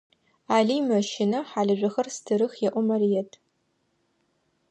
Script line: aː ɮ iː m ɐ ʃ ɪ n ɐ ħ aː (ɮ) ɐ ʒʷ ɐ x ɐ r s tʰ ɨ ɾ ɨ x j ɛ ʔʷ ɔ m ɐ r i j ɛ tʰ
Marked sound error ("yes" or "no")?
no